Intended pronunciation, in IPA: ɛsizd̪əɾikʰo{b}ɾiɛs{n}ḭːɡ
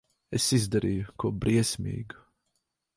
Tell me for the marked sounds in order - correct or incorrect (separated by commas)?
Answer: correct, incorrect